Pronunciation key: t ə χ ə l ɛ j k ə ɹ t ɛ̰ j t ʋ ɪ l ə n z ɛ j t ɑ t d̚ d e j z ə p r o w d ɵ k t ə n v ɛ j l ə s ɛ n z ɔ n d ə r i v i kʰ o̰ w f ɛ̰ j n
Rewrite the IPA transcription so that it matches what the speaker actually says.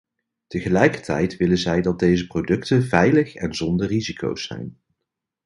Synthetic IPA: t ə χ ə l ɛ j k ə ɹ t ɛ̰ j t ʋ ɪ l ə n z ɛ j d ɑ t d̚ d e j z ə p r o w d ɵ k t ə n v ɛ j l ə χ ɛ n z ɔ n d ə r i z i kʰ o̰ w s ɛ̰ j n